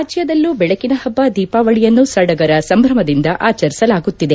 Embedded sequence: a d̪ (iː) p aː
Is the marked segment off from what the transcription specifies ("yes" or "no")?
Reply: no